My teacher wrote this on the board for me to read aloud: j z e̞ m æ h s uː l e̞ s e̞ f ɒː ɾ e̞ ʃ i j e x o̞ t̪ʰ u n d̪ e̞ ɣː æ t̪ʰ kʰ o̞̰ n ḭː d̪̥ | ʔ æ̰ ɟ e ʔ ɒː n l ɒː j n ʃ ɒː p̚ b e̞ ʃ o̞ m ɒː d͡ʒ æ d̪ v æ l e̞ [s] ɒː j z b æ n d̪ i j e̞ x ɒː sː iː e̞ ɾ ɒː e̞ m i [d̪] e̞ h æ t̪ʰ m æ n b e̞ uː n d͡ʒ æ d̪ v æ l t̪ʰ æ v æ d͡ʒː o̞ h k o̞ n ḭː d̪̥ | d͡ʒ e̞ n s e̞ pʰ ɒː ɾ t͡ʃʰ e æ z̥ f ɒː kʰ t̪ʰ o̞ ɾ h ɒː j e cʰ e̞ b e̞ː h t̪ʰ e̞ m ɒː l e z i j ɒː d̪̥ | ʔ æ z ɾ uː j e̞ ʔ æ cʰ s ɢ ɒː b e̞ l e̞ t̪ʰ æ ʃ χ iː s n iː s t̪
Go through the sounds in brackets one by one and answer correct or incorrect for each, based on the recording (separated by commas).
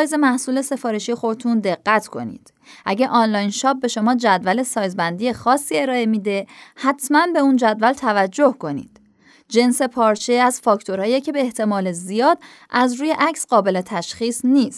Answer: correct, correct